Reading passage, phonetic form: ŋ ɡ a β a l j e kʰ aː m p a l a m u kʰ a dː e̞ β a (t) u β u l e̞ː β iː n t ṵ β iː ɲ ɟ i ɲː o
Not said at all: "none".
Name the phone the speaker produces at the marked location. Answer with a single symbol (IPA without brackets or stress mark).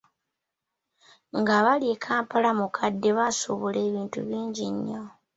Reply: s